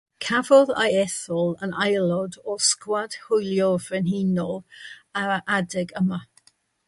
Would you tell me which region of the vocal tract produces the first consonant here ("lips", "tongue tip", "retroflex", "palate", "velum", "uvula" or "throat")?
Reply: velum